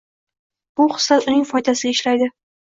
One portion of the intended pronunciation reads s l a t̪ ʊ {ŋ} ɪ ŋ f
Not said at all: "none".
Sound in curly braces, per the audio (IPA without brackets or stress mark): n